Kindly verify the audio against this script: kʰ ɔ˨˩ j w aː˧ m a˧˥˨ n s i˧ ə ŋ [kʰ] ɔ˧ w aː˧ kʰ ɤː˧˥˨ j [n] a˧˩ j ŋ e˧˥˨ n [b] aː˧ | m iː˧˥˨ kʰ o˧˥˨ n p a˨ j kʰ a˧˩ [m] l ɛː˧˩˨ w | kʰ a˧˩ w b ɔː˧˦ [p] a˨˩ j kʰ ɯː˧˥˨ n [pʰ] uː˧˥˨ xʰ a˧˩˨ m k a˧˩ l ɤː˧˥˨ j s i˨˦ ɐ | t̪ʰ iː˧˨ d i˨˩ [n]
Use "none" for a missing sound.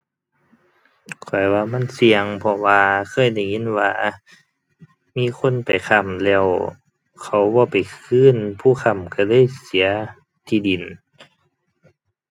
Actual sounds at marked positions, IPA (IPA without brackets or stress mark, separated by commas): pʰ, d, w, m, p, pʰ, n